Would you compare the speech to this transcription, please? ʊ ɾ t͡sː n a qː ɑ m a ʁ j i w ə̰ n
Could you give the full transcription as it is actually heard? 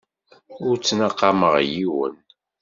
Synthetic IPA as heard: ʊ ɾ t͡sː n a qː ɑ m ə ʁ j i w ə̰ n